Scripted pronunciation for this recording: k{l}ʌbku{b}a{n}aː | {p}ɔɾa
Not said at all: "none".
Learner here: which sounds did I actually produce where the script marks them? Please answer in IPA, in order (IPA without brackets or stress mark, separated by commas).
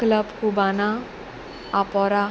l, b, n, p